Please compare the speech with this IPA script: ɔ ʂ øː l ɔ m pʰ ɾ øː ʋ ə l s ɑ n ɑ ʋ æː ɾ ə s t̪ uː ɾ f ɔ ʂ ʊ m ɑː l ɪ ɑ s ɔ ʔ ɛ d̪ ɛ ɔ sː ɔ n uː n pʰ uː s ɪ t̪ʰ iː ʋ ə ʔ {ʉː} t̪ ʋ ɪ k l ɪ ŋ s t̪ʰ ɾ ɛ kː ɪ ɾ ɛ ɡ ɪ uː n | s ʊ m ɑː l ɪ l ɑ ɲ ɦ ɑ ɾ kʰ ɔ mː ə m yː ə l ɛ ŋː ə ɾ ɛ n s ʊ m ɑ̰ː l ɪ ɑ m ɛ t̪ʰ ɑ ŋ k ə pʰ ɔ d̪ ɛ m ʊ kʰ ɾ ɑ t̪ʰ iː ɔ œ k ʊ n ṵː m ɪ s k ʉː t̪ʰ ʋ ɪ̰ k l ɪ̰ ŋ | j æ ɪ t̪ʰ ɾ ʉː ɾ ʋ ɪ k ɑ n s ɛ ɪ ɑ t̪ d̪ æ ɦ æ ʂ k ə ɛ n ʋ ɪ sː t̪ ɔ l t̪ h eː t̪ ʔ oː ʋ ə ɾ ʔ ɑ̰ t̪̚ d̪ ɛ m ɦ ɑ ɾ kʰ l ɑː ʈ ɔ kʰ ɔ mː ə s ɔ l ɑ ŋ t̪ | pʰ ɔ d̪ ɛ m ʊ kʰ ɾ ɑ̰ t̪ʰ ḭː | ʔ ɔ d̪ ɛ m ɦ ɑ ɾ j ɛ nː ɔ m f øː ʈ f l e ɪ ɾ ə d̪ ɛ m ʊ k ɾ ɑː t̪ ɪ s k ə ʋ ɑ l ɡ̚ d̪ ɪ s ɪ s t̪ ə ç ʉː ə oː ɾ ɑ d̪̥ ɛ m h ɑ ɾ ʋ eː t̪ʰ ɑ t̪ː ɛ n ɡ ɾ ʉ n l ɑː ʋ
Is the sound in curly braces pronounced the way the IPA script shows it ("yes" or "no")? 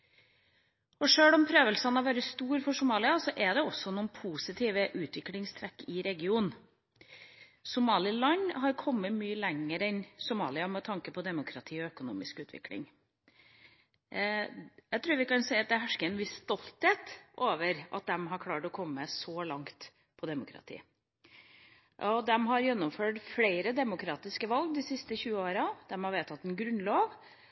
yes